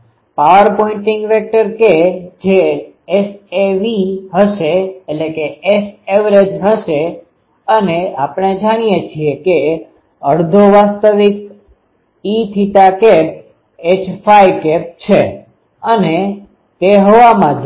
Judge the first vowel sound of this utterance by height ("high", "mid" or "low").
low